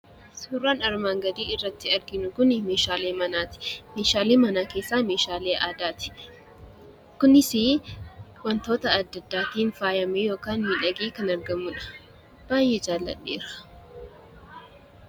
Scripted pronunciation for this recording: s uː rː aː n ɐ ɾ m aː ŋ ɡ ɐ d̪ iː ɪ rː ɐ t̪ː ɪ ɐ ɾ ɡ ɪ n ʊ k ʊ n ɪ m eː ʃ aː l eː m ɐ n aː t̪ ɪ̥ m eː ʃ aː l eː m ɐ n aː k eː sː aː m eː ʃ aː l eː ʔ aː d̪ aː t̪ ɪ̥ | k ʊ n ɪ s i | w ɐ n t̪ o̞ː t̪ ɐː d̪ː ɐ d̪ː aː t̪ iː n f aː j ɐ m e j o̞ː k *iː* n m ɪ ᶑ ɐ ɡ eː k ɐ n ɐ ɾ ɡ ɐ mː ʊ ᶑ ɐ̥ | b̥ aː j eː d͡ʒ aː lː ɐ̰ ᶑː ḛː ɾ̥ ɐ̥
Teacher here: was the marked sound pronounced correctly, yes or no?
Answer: no